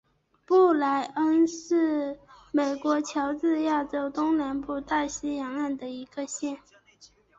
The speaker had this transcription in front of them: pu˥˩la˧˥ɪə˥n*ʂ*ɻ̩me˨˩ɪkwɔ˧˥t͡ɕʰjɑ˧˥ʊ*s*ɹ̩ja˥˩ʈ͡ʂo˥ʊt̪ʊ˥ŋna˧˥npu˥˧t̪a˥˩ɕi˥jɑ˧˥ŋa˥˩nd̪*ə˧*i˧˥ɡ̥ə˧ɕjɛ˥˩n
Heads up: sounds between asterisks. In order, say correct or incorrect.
correct, incorrect: t͡s, incorrect: ə˩

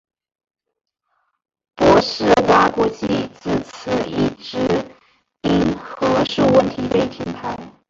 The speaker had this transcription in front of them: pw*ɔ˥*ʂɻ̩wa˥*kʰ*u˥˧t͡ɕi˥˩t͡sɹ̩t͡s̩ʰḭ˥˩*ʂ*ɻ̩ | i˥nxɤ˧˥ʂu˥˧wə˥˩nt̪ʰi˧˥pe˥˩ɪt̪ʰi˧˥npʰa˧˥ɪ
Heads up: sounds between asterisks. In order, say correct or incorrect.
incorrect: ɔ˧˥, incorrect: k, incorrect: ʈ͡ʂ

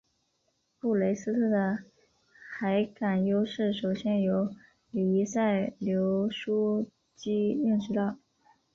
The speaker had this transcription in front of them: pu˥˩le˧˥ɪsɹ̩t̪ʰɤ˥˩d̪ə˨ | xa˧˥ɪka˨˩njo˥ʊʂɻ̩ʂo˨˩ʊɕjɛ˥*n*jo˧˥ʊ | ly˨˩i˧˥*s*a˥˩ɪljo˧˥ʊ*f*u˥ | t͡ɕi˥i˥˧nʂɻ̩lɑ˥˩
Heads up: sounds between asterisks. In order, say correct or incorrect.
correct, correct, incorrect: ʂ

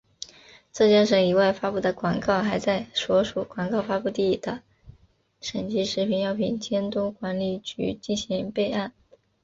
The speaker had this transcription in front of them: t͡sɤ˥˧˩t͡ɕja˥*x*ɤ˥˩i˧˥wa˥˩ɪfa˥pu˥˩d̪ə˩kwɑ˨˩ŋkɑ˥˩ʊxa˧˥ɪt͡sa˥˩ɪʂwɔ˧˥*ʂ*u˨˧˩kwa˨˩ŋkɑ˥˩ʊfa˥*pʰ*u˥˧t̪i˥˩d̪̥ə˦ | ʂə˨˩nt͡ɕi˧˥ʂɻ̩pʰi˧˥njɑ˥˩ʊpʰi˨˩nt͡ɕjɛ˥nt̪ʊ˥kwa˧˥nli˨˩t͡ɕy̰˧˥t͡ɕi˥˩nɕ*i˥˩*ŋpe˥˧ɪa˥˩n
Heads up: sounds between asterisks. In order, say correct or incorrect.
incorrect: ʂ, correct, incorrect: p, incorrect: i˧˥

